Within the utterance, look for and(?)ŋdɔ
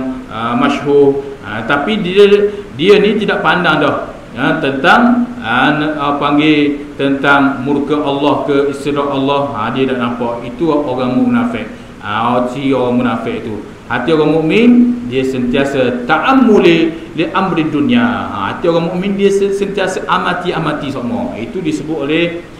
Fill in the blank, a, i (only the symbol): a